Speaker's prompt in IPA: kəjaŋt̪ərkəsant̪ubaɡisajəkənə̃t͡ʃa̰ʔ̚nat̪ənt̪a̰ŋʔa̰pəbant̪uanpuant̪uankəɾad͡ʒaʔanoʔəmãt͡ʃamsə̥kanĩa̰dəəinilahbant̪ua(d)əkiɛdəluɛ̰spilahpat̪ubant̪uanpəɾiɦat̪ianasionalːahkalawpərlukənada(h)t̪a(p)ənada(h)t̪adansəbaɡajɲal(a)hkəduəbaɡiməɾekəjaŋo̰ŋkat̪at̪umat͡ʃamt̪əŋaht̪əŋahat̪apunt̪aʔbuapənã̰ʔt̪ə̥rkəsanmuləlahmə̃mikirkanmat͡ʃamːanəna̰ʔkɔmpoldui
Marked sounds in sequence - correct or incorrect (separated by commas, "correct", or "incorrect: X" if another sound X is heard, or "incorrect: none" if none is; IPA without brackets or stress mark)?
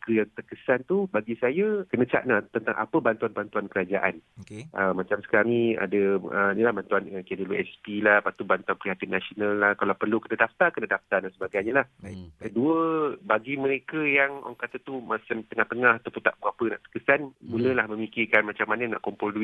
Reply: incorrect: n, incorrect: f, incorrect: k, incorrect: f, correct